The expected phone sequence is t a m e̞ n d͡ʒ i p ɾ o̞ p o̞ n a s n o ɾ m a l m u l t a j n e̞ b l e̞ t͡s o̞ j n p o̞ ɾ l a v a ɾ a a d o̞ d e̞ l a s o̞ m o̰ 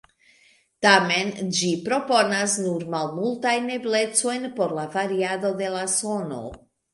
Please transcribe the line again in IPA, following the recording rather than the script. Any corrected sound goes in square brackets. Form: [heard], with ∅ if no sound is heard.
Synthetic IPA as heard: t a m e̞ n d͡ʒ i p ɾ o̞ p o̞ n a s n [u] ɾ m a l m u l t a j n e̞ b l e̞ t͡s o̞ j n p o̞ ɾ l a v a ɾ [i] a d o̞ d e̞ l a s o̞ [n] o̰